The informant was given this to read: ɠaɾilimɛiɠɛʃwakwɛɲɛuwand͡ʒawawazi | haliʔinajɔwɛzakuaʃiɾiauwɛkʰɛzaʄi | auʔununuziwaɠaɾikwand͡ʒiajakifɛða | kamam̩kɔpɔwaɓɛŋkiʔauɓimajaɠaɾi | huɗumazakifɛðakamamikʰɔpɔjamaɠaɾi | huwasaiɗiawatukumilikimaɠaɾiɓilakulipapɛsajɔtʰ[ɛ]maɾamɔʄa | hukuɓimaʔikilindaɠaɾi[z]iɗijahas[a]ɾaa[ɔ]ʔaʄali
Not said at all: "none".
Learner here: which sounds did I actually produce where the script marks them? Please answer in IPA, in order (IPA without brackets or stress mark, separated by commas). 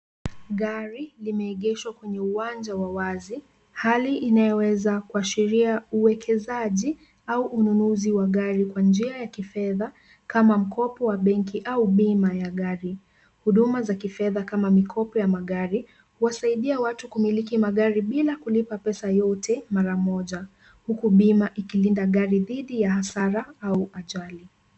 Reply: ɛ, ð, a, u